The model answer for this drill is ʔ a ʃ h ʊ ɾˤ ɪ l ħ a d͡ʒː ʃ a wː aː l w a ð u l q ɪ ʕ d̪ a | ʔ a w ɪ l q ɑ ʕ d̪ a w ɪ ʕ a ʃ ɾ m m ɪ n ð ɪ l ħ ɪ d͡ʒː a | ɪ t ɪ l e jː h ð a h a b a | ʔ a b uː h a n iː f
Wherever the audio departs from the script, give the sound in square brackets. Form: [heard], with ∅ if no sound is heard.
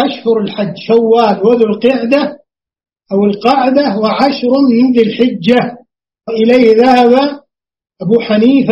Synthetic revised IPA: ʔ a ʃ h ʊ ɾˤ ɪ l ħ a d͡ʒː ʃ a wː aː l w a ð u l q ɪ ʕ d̪ a | ʔ a w ɪ l q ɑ ʕ d̪ a w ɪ ʕ a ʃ ɾ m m ɪ n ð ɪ l ħ ɪ d͡ʒː a | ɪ [ʔ] ɪ l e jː h ð a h a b a | ʔ a b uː [ħ] a n iː f